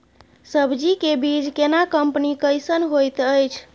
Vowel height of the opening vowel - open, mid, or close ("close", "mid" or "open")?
mid